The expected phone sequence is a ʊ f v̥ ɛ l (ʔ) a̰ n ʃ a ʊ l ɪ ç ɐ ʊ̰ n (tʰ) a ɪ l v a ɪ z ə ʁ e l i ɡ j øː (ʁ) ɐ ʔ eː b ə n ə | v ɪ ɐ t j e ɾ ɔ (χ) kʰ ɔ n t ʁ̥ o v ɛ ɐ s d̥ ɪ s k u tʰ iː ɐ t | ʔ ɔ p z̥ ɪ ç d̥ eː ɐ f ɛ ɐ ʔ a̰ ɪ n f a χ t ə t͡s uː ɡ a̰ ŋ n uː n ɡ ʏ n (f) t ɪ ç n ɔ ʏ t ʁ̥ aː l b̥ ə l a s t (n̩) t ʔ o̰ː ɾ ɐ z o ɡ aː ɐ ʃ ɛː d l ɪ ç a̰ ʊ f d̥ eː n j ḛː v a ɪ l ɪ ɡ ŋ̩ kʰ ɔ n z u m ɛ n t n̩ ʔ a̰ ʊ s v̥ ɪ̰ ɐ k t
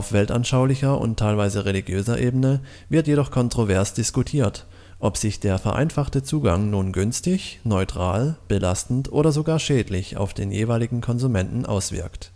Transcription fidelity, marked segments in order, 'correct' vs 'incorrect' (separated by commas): incorrect, correct, incorrect, correct, incorrect, correct